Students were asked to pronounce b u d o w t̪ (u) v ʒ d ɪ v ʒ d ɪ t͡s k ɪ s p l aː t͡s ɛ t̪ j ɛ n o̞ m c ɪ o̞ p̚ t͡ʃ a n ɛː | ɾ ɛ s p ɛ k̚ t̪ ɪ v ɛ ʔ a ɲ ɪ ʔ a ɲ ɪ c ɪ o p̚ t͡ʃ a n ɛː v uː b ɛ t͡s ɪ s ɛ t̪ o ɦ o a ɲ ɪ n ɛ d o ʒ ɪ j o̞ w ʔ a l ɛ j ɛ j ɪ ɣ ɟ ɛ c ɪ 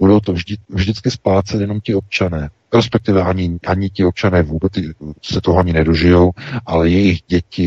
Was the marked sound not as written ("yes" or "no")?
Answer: yes